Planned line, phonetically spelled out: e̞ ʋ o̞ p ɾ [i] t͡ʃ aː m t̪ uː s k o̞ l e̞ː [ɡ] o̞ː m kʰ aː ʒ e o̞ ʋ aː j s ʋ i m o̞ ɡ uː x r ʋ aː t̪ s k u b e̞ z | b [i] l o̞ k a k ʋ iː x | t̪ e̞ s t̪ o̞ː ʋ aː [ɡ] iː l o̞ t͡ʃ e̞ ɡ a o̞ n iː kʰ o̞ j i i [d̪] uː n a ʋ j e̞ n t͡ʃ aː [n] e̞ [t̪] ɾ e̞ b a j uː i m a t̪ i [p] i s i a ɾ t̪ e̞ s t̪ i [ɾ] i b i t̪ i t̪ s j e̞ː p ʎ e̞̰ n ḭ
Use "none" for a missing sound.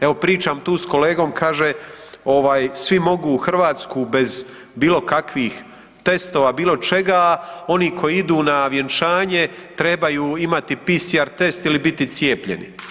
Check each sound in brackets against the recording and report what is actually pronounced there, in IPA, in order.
iː, ɡ, iː, b, d̪, ɲ, t̪, p, l

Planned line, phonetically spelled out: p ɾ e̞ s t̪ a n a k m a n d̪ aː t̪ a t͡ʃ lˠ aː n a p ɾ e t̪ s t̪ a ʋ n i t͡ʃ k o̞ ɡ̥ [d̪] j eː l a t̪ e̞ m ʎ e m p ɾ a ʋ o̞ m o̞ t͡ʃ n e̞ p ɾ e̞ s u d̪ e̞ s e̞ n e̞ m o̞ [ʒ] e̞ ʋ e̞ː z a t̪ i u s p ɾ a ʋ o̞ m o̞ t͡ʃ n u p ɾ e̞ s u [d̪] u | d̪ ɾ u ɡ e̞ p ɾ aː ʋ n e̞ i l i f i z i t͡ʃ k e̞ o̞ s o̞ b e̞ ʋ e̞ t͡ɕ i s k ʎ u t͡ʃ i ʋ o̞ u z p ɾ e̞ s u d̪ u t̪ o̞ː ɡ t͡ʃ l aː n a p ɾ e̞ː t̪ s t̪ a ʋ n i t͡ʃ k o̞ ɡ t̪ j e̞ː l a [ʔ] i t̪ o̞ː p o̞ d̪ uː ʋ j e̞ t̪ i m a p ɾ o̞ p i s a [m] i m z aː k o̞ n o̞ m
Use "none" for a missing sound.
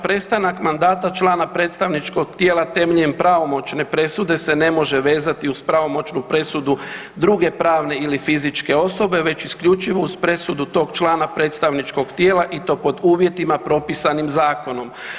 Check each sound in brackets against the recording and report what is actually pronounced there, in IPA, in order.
t̪, ʒ, d̪, ʔ, n

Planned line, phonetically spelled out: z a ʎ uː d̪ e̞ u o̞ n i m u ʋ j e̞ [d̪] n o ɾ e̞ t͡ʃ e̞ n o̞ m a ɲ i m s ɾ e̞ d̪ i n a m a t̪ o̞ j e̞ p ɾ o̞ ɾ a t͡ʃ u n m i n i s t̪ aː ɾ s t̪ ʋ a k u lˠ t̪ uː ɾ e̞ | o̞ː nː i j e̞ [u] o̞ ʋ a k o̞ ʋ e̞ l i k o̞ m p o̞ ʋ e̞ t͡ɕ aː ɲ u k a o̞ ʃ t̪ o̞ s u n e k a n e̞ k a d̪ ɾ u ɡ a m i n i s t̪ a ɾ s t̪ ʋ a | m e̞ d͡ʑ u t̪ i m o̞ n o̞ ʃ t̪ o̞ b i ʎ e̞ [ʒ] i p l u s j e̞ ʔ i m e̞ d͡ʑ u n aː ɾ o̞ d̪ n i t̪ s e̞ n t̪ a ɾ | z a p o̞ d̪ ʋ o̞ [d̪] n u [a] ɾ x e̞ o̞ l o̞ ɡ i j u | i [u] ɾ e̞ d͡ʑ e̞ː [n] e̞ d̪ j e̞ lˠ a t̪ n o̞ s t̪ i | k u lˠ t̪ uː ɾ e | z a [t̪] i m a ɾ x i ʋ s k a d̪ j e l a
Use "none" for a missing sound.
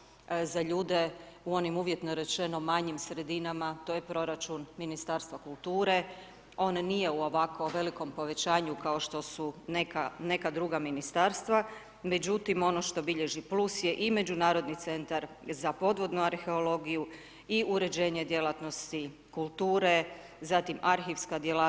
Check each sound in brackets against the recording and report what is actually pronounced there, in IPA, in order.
t̪, u, ʒ, d̪, a, u, ɲ, t̪

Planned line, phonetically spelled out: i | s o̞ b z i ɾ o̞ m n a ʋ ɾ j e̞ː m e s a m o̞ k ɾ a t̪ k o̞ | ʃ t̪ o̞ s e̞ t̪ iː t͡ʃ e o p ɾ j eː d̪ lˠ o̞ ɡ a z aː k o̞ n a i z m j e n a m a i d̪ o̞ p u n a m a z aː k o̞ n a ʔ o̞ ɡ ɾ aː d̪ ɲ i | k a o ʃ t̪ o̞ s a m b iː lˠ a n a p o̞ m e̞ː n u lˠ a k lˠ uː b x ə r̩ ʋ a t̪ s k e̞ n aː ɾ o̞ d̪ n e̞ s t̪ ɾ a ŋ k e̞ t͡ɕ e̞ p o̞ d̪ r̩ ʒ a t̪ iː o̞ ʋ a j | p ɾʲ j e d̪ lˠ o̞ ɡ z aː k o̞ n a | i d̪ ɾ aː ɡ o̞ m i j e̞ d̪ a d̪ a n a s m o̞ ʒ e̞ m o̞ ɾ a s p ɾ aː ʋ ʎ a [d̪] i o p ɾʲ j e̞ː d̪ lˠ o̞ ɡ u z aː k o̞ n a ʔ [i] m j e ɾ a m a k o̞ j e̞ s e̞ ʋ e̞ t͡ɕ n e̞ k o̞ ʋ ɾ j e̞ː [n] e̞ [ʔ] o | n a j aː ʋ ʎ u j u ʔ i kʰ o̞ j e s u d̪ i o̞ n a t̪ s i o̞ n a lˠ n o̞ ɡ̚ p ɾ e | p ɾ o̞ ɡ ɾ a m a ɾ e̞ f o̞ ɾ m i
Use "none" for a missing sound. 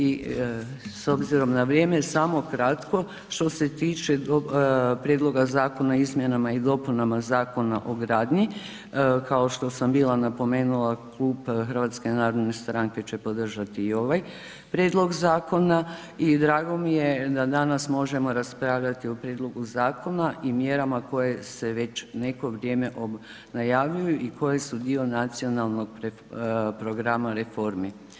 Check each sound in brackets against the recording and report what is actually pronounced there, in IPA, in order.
t̪, i, m, ʔ

